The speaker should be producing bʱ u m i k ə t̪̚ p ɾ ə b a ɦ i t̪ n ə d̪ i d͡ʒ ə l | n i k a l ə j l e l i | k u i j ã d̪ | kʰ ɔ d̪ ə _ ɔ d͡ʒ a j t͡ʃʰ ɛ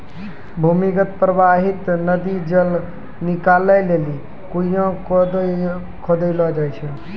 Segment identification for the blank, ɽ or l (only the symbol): l